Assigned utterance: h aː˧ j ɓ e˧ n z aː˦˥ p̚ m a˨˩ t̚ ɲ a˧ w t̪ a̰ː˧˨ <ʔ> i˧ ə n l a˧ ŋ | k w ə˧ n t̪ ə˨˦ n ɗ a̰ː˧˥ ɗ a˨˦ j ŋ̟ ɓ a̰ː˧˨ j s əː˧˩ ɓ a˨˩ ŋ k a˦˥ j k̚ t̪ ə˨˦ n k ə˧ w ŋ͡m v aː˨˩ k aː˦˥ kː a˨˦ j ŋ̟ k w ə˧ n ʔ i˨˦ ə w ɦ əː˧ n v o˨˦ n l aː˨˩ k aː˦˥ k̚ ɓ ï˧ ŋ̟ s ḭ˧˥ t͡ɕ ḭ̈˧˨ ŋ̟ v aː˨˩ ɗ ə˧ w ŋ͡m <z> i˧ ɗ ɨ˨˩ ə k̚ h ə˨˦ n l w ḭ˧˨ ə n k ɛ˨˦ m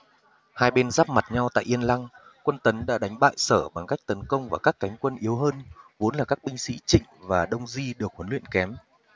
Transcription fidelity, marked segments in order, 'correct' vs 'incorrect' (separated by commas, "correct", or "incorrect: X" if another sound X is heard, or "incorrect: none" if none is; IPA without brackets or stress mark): correct, correct